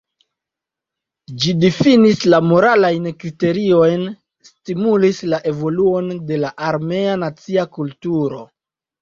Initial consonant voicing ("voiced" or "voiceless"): voiced